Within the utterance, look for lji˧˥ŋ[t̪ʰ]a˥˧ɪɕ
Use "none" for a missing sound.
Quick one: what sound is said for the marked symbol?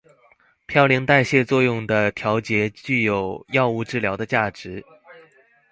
t̪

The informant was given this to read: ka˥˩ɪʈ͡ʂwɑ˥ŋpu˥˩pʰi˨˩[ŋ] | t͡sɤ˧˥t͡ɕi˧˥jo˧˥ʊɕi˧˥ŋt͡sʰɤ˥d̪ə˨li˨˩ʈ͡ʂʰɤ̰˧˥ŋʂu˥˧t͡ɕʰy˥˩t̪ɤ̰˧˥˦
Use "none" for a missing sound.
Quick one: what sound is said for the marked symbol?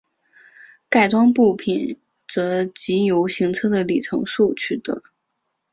n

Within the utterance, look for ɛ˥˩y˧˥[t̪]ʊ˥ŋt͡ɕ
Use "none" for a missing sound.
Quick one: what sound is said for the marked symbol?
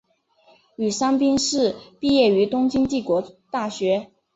t̪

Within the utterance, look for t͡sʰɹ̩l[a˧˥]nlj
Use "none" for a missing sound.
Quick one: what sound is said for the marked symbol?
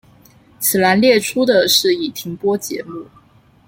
a˧˥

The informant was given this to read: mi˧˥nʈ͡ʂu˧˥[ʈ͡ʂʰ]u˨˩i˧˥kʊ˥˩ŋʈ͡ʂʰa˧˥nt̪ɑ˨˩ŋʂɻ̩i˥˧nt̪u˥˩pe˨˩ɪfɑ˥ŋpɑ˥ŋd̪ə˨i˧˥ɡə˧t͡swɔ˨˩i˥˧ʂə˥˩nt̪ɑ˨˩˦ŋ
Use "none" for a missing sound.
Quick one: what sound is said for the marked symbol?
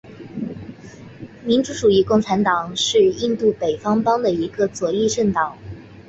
ʈ͡ʂ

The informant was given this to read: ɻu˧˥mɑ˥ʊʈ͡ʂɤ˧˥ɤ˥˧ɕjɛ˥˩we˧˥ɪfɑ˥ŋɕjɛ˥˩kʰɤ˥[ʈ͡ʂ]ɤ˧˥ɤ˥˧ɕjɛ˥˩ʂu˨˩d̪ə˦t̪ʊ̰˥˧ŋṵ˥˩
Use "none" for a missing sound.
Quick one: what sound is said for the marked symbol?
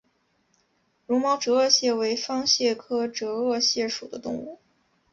ʈ͡ʂ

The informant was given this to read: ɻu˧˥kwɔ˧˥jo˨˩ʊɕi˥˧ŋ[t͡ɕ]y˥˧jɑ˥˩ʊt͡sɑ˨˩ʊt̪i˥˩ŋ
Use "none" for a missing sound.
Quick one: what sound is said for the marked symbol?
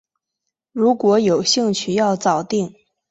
t͡ɕʰ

